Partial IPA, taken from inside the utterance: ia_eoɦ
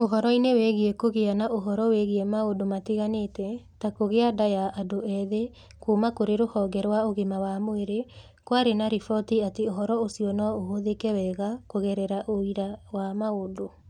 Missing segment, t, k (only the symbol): t